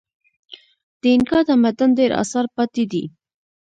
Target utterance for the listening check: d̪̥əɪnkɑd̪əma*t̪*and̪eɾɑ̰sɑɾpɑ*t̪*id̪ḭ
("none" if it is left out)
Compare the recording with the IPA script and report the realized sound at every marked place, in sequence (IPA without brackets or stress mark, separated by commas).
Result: d̪, t̪